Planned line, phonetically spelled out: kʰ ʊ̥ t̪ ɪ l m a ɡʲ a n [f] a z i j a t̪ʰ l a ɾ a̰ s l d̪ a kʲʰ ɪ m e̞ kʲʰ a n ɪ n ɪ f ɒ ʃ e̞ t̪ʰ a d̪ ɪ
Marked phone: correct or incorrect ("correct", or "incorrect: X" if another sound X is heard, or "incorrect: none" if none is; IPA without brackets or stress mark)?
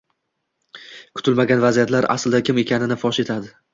incorrect: v